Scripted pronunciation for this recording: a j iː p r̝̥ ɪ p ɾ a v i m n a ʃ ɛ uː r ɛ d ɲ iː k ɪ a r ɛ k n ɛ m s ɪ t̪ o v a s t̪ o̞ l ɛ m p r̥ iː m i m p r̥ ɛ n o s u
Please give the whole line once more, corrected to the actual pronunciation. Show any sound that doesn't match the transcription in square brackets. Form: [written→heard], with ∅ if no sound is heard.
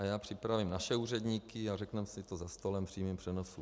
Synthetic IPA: a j [iː→aː] p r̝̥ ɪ p ɾ a v i m n a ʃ ɛ uː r ɛ d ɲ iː k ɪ a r ɛ k n ɛ m s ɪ t̪ o [v→z] a s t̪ o̞ l ɛ m p r̥ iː m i m p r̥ ɛ n o s u